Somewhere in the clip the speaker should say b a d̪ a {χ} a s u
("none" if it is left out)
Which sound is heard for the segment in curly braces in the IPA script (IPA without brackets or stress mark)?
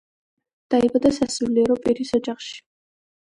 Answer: s